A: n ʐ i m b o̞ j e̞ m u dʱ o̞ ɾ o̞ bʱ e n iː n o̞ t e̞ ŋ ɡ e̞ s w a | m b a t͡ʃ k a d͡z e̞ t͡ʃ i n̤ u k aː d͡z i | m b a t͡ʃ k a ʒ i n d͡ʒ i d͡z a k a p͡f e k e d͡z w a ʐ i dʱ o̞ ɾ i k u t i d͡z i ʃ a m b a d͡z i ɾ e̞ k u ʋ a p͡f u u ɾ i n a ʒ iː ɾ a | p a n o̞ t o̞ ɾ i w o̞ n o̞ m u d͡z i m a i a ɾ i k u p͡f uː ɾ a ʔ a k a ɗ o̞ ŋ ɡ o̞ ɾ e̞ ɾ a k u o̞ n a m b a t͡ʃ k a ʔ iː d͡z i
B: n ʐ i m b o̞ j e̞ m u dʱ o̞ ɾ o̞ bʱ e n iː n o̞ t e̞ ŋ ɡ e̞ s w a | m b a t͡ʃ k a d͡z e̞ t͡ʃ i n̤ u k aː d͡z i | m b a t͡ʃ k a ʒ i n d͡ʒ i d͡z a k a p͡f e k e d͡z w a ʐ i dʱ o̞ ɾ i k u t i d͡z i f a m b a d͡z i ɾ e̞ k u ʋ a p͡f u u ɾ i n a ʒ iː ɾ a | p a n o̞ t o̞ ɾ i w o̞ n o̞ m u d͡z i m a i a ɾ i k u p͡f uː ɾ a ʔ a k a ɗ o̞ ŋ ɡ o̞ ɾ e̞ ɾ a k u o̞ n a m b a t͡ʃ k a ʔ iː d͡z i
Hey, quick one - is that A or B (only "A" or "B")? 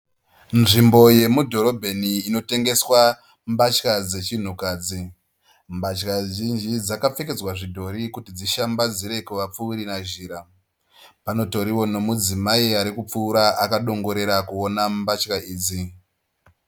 A